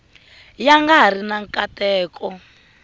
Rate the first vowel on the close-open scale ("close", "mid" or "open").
open